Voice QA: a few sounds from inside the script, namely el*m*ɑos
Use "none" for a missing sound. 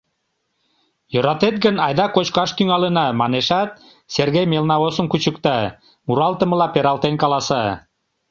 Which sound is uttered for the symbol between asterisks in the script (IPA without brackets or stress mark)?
n